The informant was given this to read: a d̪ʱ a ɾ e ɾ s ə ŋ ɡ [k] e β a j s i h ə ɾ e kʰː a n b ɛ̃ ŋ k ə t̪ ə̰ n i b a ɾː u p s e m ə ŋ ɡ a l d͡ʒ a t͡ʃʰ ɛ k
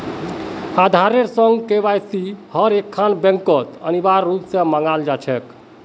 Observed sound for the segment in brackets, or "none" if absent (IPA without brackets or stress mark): k